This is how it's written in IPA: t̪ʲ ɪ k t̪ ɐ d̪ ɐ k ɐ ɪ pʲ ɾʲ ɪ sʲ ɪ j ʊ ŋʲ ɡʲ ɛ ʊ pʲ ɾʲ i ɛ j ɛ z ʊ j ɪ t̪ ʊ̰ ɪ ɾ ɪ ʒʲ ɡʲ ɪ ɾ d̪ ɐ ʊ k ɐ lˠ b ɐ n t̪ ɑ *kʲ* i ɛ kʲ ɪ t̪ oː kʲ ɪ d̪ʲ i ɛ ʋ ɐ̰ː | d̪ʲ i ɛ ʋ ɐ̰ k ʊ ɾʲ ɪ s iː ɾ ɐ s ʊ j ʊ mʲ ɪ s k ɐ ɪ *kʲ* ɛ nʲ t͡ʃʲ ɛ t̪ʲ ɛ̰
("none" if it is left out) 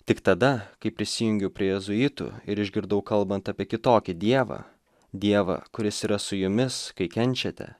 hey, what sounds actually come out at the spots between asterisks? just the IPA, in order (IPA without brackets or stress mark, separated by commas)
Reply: pʲ, kʲ